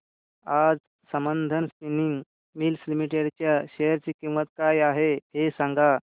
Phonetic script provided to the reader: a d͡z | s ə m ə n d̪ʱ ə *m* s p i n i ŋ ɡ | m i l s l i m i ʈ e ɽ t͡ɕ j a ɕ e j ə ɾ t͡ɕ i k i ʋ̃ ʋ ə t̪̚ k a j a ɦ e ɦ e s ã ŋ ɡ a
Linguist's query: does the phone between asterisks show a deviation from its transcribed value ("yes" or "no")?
yes